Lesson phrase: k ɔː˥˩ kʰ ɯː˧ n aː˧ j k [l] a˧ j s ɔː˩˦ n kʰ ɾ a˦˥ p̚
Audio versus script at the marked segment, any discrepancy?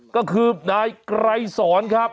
yes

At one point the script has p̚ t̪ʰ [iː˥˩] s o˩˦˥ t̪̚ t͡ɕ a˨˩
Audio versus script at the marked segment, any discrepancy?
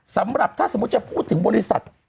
yes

